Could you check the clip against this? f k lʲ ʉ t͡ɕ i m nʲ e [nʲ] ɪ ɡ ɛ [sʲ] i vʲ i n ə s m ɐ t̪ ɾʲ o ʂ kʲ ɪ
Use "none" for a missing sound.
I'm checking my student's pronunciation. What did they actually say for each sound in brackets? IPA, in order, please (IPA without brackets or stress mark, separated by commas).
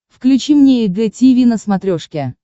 none, tʲ